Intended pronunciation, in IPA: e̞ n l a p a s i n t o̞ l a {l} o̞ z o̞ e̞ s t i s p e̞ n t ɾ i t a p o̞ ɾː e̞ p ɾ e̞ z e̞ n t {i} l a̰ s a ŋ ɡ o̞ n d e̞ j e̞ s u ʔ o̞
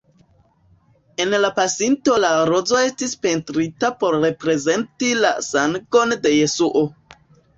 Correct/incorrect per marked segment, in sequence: incorrect: ɾ, correct

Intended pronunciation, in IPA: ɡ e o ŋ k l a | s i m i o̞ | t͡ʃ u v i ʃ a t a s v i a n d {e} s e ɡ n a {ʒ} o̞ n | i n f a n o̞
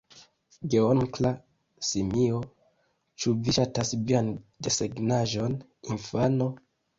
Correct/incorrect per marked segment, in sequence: correct, correct

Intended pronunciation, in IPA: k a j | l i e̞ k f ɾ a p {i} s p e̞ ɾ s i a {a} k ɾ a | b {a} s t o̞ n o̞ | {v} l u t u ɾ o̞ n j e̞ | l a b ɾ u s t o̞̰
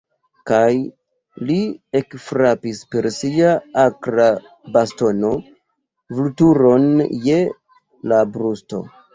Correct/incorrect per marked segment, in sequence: correct, correct, correct, correct

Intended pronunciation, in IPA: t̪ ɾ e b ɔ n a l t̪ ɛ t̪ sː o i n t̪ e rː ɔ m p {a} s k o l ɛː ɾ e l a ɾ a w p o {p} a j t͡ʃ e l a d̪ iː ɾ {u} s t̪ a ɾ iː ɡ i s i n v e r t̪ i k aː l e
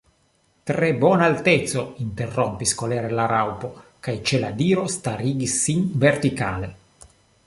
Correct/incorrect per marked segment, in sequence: incorrect: i, incorrect: k, incorrect: o

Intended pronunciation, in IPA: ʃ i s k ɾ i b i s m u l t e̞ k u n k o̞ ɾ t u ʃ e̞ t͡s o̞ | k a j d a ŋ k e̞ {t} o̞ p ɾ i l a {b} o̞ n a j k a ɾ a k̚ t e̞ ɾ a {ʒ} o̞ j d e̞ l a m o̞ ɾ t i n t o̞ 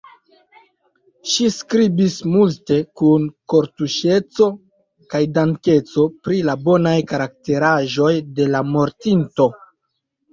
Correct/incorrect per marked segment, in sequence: incorrect: t͡s, correct, correct

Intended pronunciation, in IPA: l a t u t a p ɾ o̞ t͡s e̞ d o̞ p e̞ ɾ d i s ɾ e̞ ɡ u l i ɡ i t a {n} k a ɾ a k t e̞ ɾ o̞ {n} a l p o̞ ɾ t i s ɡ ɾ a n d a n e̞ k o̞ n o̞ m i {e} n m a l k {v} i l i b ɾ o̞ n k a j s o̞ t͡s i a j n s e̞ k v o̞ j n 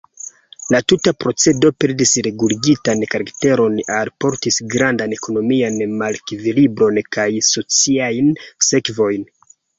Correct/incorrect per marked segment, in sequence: correct, correct, incorrect: a, correct

